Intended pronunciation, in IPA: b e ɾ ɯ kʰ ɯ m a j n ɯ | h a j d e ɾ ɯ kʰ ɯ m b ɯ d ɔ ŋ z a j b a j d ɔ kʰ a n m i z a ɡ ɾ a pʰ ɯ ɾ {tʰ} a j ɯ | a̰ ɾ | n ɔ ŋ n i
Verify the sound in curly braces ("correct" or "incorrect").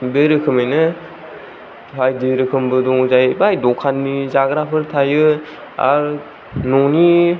correct